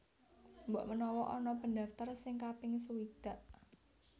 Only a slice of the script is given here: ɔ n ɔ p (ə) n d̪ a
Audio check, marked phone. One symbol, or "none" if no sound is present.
ə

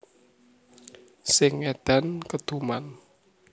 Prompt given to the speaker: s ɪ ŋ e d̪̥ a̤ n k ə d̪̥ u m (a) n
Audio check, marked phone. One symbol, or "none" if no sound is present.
a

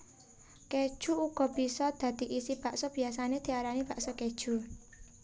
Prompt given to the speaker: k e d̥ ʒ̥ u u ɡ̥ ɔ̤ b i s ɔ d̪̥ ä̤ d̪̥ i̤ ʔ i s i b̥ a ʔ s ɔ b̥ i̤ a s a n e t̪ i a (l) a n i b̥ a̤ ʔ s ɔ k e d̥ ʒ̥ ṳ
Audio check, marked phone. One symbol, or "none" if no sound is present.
ɾ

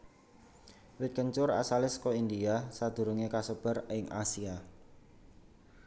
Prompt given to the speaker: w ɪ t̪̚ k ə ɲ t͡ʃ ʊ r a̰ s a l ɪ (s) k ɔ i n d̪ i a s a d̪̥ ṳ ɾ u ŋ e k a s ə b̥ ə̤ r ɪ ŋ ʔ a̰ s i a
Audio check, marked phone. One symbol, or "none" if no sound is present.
s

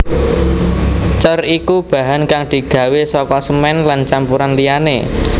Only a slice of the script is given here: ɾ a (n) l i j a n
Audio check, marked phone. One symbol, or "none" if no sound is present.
n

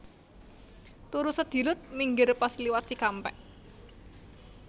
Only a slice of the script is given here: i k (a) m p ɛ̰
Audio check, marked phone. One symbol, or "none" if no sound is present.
a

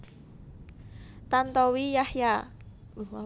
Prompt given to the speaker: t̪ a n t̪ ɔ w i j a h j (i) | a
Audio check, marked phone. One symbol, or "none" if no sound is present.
a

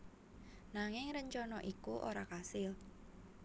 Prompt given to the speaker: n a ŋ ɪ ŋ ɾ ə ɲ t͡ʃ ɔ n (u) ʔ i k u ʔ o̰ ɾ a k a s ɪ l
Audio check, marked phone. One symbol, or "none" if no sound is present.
ɔ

